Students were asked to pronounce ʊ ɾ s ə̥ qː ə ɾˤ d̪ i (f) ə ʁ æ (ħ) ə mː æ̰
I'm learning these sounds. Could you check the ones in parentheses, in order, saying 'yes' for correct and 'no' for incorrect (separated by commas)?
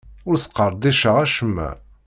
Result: no, no